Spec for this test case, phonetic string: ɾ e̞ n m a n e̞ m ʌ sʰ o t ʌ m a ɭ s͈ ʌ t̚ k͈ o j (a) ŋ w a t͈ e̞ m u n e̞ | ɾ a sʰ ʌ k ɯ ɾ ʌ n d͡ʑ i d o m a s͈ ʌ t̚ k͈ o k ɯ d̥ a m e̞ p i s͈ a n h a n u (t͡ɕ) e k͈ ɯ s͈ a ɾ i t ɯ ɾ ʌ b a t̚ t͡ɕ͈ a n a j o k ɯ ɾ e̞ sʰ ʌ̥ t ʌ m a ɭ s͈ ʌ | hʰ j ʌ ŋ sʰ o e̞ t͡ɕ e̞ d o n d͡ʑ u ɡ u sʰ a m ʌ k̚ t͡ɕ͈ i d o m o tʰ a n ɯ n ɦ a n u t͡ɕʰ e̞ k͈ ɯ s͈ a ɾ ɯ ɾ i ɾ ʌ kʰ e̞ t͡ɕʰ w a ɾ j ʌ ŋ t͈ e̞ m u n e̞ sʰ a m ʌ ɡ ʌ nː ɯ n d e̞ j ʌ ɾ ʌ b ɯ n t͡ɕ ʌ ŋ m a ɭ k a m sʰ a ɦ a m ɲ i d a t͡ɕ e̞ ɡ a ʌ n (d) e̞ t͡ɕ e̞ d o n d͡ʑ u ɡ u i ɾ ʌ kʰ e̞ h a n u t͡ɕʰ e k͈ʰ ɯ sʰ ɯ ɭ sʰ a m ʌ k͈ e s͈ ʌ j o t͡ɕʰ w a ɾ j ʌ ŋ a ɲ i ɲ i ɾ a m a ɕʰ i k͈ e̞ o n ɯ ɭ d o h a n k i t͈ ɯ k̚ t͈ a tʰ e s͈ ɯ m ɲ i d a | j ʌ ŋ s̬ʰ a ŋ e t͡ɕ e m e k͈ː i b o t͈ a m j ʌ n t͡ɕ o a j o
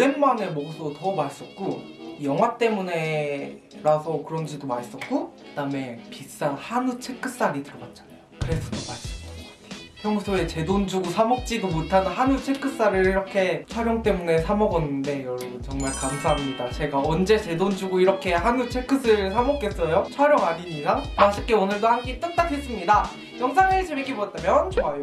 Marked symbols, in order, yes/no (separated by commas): no, no, no